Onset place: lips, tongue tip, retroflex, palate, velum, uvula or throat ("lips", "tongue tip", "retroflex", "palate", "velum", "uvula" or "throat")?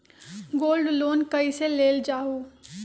velum